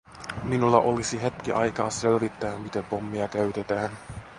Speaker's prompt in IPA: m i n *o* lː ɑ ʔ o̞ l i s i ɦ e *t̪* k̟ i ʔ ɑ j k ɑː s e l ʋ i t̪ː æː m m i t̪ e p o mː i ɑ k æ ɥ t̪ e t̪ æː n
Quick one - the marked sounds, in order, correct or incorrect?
incorrect: u, correct

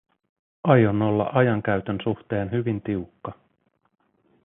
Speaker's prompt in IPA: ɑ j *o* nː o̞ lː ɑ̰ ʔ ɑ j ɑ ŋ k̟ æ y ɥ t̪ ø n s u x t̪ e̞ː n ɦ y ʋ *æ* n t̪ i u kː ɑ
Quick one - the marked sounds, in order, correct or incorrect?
correct, incorrect: i

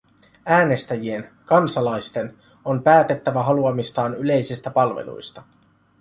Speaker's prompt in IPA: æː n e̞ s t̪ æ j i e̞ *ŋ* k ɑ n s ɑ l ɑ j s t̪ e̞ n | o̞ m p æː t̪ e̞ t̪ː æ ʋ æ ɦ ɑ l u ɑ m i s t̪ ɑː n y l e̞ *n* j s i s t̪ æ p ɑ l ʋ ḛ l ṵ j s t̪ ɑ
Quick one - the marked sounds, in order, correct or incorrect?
incorrect: n, incorrect: none

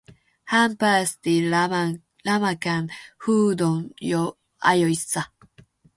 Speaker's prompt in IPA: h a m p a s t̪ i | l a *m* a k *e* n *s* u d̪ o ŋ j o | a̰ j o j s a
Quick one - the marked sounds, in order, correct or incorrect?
correct, incorrect: a, incorrect: h

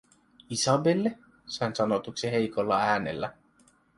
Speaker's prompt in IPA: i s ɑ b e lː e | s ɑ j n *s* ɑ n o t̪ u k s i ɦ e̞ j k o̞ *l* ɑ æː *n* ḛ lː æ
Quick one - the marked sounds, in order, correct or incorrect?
correct, incorrect: lː, correct

